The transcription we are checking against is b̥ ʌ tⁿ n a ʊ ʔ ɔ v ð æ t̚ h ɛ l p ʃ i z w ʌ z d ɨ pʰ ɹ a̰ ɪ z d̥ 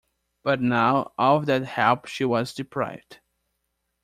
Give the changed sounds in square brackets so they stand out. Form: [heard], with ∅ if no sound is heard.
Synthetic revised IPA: b̥ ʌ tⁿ n a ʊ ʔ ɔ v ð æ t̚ h ɛ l p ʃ i [∅] w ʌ z d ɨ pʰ ɹ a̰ ɪ [v] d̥